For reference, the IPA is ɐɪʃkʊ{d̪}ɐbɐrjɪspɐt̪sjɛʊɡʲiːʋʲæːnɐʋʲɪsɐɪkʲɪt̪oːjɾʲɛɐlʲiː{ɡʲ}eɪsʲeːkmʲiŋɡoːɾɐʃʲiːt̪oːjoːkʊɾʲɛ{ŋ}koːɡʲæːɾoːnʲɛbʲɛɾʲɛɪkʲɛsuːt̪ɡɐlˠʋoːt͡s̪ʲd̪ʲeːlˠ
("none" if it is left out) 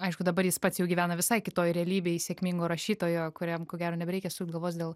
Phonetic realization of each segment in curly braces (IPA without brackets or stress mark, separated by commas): d̪, bʲ, m